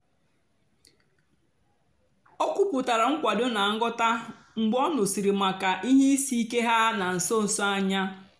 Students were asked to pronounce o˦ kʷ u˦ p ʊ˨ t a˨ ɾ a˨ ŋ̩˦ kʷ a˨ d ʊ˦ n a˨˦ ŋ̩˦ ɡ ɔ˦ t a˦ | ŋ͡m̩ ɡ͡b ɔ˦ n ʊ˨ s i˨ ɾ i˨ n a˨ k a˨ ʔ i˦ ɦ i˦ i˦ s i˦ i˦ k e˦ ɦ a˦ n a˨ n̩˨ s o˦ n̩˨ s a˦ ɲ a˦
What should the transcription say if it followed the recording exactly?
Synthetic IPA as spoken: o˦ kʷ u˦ p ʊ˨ t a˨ ɾ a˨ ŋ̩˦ kʷ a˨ d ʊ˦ n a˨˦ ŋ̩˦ ɡ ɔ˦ t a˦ | ŋ͡m̩ ɡ͡b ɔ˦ n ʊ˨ s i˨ ɾ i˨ m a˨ k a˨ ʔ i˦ ɦ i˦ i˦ s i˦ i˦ k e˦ ɦ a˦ n a˨ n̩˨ s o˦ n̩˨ s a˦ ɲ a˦